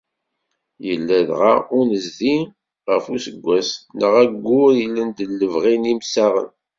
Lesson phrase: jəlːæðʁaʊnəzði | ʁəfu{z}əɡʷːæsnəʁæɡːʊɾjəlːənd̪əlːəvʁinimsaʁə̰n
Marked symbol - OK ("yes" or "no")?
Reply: no